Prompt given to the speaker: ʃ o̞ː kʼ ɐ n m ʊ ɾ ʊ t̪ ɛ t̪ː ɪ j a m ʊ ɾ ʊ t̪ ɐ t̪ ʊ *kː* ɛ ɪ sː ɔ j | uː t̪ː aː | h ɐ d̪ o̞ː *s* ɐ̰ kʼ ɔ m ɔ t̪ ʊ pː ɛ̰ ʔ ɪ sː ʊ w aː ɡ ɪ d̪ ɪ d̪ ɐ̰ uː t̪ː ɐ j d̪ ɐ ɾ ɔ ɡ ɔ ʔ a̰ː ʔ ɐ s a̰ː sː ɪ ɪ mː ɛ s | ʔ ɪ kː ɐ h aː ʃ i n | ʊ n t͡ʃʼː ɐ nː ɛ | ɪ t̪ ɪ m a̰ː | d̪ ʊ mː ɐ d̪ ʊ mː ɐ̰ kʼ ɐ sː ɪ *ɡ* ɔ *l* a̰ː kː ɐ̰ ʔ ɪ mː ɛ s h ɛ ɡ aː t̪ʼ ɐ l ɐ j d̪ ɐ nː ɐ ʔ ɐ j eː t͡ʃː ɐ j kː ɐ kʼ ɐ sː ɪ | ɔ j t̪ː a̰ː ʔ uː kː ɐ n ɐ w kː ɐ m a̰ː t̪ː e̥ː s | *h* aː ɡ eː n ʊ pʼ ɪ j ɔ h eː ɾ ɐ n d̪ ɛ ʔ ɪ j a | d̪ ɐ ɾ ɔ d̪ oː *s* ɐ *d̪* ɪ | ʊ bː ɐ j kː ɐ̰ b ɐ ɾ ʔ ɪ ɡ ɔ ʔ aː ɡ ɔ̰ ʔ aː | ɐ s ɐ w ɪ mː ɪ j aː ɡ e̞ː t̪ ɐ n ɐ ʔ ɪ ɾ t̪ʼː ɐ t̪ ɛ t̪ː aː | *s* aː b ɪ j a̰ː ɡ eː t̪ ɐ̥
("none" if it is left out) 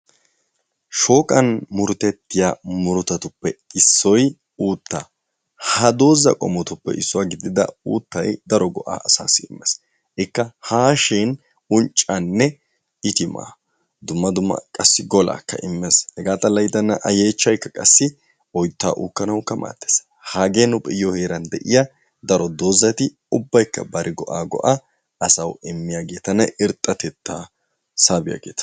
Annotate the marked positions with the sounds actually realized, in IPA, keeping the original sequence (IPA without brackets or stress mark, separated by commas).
pː, z, ɡ, l, h, z, t̪, s